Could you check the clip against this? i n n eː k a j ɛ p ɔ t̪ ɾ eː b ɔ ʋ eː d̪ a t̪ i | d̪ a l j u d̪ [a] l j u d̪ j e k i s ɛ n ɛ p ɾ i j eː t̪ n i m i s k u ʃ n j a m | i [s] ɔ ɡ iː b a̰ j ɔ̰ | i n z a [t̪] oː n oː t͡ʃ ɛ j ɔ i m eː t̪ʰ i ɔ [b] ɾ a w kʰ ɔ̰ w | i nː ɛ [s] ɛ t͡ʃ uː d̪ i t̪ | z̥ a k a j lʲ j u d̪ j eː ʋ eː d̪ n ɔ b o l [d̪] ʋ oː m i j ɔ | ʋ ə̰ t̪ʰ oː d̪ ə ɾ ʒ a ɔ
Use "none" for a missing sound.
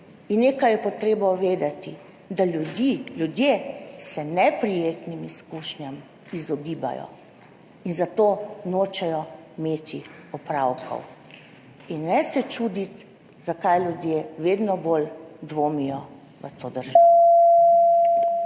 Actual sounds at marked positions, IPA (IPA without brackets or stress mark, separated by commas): i, z, t̪, p, s, d̪